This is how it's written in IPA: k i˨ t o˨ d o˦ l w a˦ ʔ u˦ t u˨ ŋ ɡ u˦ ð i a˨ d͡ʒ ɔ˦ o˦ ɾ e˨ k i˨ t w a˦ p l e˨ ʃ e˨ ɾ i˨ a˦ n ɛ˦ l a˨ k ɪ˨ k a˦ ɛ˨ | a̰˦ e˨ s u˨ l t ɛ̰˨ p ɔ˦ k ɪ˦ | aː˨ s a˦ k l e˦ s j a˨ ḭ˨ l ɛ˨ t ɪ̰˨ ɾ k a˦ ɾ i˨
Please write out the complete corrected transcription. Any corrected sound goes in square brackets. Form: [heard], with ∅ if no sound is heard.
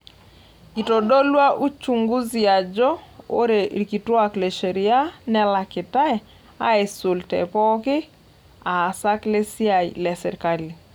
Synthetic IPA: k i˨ t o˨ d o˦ l w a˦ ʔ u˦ [t͡ʃ] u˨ ŋ ɡ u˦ [z] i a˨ d͡ʒ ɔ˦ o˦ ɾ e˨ k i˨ t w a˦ [k] l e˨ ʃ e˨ ɾ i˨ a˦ n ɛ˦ l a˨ k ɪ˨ [t] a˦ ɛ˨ | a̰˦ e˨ s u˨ l t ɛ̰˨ p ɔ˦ k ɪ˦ | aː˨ s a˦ k l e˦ s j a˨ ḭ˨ l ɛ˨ [s] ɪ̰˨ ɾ k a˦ [l] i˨